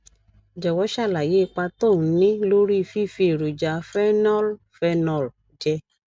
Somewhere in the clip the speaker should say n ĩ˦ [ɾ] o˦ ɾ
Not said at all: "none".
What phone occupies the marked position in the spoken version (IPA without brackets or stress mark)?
l